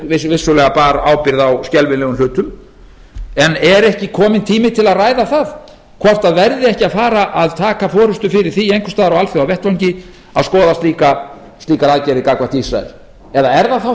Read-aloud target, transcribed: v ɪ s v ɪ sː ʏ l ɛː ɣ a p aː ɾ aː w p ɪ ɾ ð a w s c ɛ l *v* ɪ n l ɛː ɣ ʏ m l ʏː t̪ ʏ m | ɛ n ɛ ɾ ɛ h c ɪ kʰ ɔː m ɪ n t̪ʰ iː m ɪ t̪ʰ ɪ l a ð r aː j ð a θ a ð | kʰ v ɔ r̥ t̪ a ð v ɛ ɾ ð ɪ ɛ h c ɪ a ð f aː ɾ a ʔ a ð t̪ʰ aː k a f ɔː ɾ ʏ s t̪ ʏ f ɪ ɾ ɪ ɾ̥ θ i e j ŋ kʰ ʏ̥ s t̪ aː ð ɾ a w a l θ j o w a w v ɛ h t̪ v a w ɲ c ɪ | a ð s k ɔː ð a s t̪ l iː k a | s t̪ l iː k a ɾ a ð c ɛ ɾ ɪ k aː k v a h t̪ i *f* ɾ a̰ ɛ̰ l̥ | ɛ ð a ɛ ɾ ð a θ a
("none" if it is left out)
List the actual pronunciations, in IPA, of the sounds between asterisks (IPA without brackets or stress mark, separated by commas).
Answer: v, s